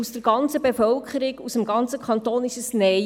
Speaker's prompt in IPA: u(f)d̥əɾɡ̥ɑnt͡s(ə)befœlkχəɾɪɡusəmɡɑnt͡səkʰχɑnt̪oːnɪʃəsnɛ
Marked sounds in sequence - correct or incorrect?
incorrect: s, correct

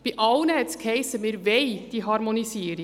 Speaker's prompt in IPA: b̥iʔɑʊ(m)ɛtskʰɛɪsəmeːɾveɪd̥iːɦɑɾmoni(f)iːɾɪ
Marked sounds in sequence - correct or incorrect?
incorrect: n, incorrect: s

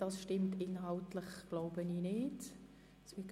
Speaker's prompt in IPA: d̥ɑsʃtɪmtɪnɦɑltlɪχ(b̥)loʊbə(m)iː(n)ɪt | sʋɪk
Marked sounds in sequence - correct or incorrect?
incorrect: ɡ̥, incorrect: n, correct

